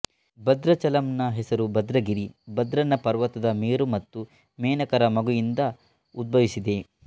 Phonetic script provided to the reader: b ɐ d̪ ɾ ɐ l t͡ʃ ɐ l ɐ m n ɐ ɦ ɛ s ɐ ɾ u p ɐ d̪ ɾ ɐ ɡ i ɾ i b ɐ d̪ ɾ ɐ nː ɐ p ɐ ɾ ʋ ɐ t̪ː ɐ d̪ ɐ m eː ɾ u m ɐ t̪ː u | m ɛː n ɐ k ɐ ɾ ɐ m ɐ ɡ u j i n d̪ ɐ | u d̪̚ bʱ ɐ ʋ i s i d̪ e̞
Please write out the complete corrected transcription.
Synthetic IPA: b ɐ d̪ ɾ ɐ t͡ʃ ɐ l ɐ m n ɐ ɦ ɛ s ɐ ɾ u b ɐ d̪ ɾ ɐ ɡ i ɾ i b ɐ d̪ ɾ ɐ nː ɐ p ɐ ɾ ʋ ɐ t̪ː ɐ d̪ ɐ m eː ɾ u m ɐ t̪ː u | m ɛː n ɐ k ɐ ɾ ɐ m ɐ ɡ u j i n d̪ ɐ | u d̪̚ bʱ ɐ ʋ i s i d̪ e̞